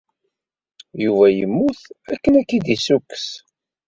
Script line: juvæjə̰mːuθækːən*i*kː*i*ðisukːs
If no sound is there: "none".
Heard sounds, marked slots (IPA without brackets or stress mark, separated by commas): æ, i